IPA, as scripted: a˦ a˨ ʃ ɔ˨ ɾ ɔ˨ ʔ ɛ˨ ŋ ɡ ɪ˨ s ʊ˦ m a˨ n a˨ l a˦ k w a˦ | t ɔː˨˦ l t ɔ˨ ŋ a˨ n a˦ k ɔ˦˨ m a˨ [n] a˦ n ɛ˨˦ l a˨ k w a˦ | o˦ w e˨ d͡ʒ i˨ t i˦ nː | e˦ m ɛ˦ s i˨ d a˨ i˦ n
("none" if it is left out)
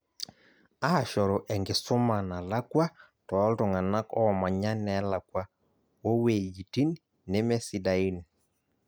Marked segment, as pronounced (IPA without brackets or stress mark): ɲ